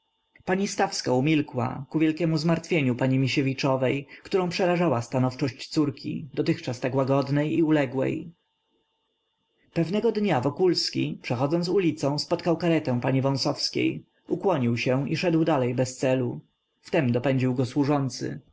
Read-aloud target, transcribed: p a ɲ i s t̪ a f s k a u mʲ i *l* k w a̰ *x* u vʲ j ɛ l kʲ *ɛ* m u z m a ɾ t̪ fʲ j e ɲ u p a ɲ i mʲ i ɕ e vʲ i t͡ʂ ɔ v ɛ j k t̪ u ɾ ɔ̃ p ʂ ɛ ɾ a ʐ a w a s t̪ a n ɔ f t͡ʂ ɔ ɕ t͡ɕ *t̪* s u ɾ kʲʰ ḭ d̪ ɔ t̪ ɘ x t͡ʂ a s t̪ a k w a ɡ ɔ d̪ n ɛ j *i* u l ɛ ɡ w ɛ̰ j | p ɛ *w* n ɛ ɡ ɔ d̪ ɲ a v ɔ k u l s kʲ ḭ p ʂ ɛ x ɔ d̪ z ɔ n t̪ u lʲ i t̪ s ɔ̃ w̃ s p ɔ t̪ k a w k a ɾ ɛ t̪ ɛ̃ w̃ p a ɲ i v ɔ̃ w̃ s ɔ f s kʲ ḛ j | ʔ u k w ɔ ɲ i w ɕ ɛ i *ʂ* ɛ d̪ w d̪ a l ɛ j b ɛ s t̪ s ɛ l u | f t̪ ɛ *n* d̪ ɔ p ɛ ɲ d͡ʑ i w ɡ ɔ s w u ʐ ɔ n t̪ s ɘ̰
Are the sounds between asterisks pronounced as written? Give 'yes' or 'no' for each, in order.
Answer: yes, no, yes, yes, yes, no, yes, no

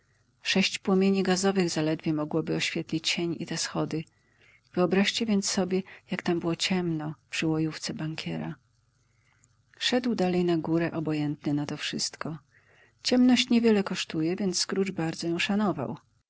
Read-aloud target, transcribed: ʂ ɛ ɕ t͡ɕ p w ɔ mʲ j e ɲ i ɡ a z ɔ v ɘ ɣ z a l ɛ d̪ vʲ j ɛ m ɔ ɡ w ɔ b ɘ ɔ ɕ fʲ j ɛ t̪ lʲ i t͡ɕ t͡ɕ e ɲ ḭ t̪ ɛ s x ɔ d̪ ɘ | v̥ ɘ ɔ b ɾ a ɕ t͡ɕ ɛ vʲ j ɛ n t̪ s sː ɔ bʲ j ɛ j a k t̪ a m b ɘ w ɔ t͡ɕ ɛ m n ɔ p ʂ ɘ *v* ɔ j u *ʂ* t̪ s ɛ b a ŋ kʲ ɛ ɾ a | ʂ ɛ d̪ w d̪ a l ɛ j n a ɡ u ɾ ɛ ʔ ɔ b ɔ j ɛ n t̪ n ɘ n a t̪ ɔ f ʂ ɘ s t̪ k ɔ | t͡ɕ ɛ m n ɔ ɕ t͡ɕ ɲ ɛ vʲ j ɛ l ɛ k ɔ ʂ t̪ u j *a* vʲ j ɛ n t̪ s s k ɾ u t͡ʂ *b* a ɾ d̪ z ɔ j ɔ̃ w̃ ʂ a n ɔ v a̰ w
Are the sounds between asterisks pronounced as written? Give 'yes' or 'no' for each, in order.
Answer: no, no, no, yes

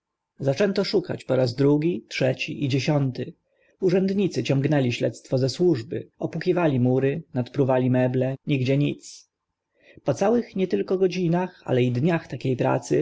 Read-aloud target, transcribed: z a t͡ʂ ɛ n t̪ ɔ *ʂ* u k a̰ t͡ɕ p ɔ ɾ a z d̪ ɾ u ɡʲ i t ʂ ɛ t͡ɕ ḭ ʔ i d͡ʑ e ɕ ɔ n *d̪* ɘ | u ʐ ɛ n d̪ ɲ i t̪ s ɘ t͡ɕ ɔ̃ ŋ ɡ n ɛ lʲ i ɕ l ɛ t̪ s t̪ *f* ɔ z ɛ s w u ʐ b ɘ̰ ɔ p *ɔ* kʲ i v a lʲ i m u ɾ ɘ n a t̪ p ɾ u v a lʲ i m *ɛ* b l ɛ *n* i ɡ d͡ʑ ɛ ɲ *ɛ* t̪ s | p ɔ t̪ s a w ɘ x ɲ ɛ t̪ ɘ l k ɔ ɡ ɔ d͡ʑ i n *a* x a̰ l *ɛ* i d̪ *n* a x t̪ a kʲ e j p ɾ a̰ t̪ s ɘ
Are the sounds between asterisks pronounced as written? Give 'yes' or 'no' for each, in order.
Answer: yes, no, yes, no, yes, no, no, yes, yes, no

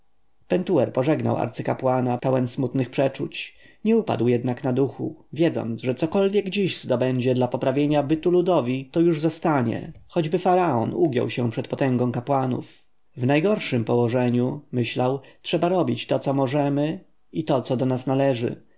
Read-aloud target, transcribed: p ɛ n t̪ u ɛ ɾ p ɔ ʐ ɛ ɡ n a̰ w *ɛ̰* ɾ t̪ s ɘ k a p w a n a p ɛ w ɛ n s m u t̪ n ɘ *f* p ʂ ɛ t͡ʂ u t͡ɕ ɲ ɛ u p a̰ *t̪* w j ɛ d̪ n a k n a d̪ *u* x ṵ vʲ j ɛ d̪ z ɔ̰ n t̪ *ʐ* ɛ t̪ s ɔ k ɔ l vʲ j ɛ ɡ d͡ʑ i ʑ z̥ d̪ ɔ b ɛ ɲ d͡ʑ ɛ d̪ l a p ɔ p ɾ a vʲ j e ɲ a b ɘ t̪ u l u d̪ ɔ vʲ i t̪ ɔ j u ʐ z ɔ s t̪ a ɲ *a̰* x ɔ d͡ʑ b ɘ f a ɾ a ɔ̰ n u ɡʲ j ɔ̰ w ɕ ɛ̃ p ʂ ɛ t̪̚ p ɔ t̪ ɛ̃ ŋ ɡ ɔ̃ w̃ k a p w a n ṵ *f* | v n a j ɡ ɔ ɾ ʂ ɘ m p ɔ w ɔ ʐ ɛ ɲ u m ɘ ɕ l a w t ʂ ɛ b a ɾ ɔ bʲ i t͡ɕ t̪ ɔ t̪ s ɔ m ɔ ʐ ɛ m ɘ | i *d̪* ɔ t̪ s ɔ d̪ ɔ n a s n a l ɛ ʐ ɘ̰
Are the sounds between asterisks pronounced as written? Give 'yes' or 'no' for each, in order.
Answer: no, no, no, yes, yes, no, yes, no

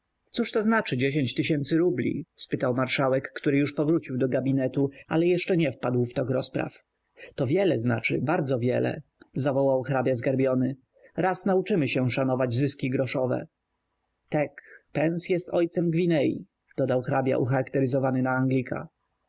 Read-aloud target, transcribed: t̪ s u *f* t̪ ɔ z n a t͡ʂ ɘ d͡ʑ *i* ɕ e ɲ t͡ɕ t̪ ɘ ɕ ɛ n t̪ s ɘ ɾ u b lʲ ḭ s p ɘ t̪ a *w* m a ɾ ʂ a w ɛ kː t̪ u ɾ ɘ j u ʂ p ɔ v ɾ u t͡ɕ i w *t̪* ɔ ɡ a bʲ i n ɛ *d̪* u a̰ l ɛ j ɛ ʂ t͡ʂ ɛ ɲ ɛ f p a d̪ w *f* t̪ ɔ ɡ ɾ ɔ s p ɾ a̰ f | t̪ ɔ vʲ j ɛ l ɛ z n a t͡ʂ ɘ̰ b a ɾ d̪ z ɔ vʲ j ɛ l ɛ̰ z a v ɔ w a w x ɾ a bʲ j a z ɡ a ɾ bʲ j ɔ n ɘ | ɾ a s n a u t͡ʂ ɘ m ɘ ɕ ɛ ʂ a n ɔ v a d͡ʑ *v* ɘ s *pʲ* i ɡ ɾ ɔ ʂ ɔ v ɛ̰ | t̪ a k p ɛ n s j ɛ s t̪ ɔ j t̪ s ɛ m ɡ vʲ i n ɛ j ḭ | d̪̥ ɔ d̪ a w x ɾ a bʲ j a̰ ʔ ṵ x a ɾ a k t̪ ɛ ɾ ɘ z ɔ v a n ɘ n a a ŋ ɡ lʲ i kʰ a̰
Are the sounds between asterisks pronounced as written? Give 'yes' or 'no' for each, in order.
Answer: no, no, yes, no, no, yes, no, no

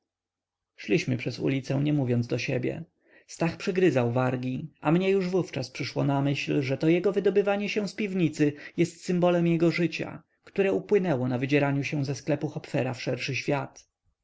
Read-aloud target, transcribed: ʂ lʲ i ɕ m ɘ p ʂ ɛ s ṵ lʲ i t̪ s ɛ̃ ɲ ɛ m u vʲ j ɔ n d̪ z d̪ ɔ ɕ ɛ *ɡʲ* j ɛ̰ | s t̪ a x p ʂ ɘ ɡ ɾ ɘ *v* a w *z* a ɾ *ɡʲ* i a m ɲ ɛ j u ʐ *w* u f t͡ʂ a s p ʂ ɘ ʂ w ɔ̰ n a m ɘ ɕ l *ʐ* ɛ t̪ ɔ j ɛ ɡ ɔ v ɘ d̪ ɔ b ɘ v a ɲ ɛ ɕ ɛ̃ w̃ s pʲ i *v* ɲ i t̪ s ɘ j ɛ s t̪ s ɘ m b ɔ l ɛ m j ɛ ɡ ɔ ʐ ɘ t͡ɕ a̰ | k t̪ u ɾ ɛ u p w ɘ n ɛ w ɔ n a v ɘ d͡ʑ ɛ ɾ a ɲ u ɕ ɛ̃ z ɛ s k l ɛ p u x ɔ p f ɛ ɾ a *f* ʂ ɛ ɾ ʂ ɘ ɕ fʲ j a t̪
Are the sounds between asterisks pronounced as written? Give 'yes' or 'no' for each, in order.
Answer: no, no, no, yes, no, yes, yes, yes

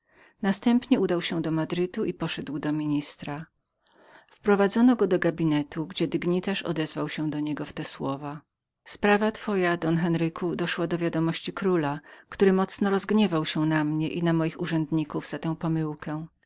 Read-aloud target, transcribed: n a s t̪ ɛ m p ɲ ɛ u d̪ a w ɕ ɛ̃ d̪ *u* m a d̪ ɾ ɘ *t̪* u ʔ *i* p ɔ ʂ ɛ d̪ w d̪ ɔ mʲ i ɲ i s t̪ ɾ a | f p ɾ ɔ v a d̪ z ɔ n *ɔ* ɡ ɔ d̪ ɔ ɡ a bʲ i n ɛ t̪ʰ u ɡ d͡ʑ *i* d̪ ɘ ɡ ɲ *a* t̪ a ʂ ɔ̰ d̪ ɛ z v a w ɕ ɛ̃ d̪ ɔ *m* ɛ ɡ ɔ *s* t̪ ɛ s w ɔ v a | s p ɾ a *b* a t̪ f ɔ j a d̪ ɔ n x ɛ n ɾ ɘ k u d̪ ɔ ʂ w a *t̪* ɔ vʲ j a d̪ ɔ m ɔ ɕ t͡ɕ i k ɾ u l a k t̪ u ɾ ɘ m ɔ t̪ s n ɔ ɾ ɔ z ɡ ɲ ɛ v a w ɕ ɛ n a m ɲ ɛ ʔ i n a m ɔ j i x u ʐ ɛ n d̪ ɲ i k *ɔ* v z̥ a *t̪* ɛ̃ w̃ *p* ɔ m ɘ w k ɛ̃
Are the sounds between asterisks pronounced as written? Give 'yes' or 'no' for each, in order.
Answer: no, yes, yes, yes, no, no, no, no, no, no, no, yes, yes

